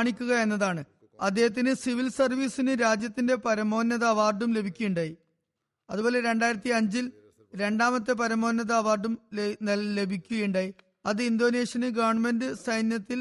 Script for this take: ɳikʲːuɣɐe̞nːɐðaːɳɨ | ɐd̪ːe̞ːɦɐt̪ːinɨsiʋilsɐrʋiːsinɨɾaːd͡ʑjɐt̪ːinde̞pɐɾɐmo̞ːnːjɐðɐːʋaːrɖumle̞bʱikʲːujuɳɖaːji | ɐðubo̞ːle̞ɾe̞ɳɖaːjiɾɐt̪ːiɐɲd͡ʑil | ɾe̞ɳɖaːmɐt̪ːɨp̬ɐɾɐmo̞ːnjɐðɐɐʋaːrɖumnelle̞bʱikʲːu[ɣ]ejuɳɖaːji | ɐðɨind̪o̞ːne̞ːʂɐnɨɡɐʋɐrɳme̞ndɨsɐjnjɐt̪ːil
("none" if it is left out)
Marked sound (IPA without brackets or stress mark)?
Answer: ɣ